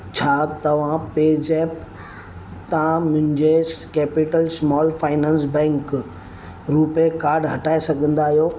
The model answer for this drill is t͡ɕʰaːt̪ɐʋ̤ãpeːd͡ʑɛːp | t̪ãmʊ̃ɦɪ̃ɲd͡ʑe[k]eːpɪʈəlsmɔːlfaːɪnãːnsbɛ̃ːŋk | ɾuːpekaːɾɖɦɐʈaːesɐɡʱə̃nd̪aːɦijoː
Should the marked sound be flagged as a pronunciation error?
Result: no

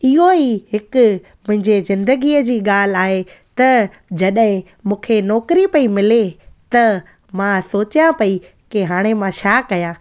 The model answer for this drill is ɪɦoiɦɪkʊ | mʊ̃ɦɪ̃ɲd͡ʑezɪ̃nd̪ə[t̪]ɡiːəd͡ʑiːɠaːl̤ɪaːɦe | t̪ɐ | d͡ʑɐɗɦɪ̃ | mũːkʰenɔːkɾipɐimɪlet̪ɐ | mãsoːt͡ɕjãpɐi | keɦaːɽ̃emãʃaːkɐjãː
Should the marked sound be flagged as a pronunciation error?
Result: yes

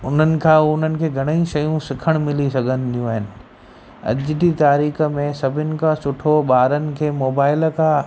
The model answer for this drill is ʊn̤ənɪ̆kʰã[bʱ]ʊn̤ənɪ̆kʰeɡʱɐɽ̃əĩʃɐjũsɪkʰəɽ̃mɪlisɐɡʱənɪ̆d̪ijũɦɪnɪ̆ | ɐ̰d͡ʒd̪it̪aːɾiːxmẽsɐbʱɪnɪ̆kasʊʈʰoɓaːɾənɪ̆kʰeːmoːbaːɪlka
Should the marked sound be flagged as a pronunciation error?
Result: yes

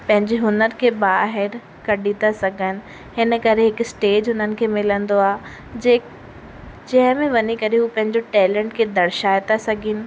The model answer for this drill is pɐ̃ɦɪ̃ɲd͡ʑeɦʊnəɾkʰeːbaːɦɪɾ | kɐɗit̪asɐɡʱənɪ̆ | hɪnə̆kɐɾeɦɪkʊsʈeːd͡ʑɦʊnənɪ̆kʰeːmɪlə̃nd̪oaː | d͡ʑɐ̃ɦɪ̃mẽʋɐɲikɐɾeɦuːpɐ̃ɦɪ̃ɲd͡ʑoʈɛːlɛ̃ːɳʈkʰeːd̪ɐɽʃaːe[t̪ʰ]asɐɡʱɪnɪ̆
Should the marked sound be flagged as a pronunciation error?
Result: yes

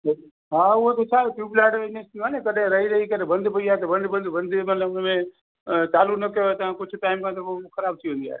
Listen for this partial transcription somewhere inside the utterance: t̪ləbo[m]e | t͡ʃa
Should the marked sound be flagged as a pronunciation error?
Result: no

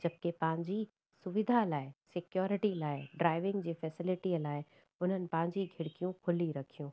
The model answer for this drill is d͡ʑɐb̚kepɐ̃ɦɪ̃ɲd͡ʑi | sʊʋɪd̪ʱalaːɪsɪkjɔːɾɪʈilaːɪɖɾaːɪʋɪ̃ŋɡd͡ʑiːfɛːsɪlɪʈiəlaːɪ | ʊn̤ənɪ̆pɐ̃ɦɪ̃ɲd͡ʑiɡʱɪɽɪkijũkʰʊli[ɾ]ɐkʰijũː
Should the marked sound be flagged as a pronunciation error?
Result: no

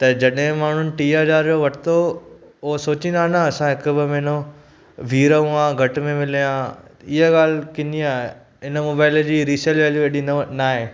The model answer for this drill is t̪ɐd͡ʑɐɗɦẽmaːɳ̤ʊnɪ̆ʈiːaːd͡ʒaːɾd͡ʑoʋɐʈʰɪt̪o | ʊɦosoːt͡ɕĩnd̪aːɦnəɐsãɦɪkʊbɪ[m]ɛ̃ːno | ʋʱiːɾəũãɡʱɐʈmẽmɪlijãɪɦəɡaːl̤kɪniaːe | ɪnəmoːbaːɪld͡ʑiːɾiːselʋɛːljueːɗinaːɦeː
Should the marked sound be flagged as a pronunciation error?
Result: no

